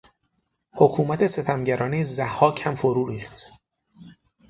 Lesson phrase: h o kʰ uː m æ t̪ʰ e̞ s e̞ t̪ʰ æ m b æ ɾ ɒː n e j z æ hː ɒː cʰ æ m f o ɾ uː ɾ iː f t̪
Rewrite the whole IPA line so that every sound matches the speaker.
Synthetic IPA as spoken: h o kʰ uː m æ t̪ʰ e̞ s e̞ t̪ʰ æ m ɟ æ ɾ ɒː n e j z æ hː ɒː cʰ æ m f o ɾ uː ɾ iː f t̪